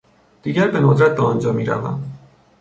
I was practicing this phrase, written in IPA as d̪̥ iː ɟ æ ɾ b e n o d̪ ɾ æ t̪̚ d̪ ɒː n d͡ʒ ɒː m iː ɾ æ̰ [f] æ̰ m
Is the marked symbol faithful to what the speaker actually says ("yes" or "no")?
no